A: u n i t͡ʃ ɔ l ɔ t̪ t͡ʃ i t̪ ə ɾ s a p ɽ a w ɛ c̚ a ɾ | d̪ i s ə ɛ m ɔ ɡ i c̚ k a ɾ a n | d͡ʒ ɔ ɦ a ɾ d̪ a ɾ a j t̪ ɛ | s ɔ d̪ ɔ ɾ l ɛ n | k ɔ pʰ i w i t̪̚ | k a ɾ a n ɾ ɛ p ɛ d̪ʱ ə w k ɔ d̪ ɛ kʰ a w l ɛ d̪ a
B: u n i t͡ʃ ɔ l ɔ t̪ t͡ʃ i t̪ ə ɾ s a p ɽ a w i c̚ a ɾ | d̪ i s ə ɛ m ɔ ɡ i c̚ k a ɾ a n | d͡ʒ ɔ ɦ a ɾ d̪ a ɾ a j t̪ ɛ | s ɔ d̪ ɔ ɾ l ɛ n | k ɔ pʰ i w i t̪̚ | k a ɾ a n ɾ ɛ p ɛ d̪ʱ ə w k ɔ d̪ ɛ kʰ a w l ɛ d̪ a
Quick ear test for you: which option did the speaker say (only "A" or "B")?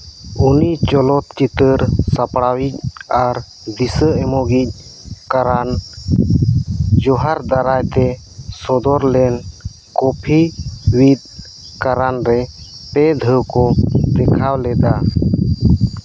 B